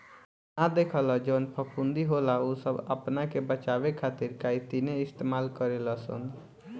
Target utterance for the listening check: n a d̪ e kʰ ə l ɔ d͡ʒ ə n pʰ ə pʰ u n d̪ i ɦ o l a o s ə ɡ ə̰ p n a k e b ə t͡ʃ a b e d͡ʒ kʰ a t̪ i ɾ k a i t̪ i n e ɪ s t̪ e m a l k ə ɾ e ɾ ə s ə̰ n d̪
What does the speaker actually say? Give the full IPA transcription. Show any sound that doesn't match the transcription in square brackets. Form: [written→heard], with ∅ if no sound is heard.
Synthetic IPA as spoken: n a d̪ e kʰ ə l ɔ d͡ʒ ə n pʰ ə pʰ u n d̪ i ɦ o l a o s ə [ɡ→b] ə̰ p n a k e b ə t͡ʃ a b e [d͡ʒ→∅] kʰ a t̪ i ɾ k a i t̪ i n e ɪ s t̪ e m a l k ə ɾ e [ɾ→l] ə s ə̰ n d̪